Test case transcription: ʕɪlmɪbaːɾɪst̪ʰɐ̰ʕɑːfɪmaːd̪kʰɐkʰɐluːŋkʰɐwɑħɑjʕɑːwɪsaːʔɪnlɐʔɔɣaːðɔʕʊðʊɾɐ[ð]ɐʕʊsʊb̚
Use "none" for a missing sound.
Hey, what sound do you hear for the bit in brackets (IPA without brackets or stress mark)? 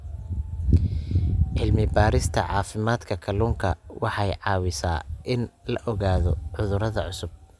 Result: ð